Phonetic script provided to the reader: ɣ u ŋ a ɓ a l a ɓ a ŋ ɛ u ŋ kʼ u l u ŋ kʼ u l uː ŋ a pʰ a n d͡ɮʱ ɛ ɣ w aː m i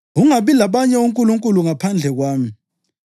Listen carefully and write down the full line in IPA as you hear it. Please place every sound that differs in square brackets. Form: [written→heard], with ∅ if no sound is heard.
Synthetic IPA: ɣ u ŋ a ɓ [a→i] l a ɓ a [ŋ→ɲ] ɛ u ŋ kʼ u l u ŋ kʼ u l [uː→u] ŋ a pʰ a n d͡ɮʱ ɛ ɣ w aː m i